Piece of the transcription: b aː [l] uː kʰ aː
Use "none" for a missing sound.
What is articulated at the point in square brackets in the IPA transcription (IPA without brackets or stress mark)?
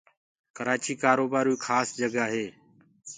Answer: ɾ